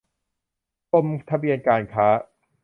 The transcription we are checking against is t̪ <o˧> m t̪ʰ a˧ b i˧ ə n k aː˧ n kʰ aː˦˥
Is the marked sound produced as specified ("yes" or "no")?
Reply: yes